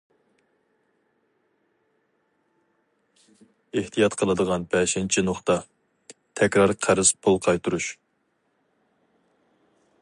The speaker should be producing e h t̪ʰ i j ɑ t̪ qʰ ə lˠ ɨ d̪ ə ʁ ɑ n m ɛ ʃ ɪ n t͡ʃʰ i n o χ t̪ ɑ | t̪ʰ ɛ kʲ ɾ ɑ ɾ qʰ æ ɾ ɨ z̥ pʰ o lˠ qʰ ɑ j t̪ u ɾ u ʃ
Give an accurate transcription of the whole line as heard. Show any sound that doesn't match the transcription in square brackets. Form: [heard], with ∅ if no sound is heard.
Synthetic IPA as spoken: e h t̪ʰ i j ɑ t̪ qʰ ə lˠ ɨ d̪ ə ʁ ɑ n [b] ɛ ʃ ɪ n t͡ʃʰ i n o χ t̪ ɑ | t̪ʰ ɛ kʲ ɾ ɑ ɾ qʰ æ ɾ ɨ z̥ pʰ o lˠ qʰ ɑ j t̪ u ɾ u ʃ

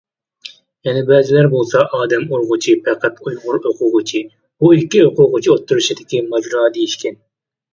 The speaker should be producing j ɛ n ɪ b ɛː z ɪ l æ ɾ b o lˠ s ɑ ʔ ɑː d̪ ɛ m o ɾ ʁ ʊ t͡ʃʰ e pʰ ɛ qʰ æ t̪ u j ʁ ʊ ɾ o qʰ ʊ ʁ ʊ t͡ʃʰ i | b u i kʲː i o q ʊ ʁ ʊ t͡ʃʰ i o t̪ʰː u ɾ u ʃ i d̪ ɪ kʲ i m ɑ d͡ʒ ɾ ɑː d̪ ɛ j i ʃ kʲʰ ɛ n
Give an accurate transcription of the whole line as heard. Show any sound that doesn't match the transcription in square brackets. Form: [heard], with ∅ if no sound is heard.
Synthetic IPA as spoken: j ɛ n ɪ b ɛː z ɪ l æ ɾ b o lˠ s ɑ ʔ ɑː d̪ ɛ m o ɾ ʁ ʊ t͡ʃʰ [i] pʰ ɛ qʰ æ t̪ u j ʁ ʊ ɾ o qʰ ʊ ʁ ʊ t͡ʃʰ i | b u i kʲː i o q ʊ ʁ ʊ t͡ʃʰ i o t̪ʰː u ɾ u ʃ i d̪ ɪ kʲ i m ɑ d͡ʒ ɾ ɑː d̪ [e] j i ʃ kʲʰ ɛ n

